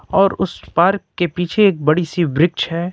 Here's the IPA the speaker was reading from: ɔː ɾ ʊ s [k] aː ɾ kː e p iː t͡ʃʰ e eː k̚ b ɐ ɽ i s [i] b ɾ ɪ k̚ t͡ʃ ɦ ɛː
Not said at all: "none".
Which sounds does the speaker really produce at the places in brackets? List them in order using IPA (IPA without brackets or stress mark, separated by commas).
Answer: p, i